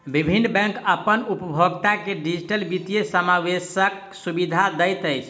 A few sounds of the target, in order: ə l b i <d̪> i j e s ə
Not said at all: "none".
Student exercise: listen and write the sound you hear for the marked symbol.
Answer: t̪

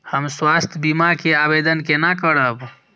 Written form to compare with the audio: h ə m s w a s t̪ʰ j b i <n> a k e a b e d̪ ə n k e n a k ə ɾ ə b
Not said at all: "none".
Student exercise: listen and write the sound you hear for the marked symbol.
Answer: m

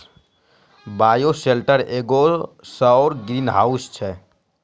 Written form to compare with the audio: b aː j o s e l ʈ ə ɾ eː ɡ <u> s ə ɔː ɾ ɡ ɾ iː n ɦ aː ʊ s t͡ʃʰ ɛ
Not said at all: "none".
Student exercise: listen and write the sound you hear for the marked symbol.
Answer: o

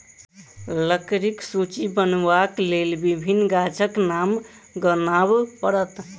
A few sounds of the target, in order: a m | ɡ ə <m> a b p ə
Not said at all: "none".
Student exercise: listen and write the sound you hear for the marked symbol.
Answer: n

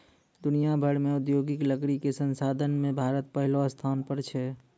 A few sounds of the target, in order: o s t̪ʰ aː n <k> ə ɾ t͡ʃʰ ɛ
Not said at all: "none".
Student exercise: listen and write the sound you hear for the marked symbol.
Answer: p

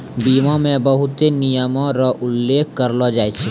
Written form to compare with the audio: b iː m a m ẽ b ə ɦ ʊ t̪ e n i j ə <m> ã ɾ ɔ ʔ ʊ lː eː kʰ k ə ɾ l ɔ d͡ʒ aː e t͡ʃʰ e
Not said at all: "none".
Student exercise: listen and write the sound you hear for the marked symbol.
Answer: m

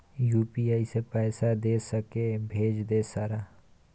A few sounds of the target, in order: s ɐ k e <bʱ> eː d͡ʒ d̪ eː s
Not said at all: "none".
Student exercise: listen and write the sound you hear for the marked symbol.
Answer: bʱ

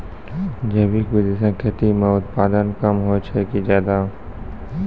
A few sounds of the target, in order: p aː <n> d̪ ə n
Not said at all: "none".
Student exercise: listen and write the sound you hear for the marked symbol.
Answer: none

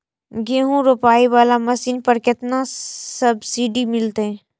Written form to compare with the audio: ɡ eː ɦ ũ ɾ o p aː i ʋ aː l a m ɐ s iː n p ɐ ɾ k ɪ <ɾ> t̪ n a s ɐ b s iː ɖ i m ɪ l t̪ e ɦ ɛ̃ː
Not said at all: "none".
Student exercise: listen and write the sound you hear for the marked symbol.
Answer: none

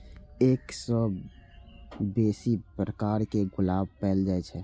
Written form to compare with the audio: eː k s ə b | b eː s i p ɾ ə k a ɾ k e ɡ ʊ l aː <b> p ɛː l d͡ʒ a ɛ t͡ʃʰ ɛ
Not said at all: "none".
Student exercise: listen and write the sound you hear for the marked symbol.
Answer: b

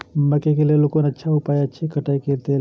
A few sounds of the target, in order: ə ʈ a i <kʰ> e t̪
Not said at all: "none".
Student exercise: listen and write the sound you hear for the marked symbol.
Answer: k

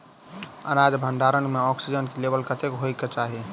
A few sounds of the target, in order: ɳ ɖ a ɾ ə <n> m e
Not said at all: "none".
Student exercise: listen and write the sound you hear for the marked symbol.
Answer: n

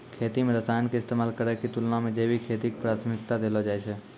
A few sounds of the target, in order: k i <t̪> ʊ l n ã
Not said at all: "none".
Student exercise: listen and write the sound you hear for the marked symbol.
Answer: t̪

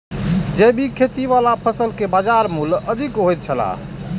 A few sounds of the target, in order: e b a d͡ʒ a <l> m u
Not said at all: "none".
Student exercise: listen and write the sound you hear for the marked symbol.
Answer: ɾ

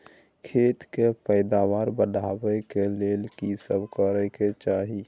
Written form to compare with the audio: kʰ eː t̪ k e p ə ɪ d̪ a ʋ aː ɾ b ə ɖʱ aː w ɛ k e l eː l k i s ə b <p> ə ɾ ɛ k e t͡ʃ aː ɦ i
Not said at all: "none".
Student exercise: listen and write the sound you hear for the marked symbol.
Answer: k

